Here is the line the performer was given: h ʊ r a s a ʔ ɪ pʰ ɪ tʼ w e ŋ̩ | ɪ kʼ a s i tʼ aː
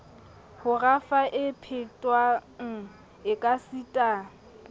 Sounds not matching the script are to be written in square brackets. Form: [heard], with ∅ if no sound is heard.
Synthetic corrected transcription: h ʊ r a [f] a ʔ ɪ pʰ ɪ tʼ w [a] ŋ̩ | ɪ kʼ a s i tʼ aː